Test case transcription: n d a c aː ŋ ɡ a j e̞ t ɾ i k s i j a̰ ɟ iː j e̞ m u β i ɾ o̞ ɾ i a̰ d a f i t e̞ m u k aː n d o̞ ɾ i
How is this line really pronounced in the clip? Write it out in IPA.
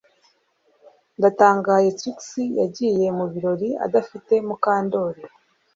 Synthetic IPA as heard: n d a t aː ŋ ɡ a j e̞ t ɾ i k s i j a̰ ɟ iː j e̞ m u β i ɾ o̞ ɾ i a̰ d a f i t e̞ m u k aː n d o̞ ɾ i